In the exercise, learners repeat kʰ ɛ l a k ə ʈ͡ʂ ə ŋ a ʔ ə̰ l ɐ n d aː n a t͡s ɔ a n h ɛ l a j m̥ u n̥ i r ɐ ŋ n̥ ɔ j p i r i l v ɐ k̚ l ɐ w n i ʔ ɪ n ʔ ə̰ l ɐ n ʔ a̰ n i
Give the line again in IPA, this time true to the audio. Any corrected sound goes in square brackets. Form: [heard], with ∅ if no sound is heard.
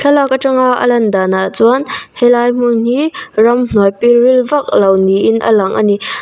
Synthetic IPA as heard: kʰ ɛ l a k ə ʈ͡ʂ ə ŋ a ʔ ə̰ l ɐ n d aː n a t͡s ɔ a n h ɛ l a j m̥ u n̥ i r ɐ [m] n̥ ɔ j p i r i l v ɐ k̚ l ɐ w n i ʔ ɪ n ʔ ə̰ l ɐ [ŋ] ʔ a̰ n i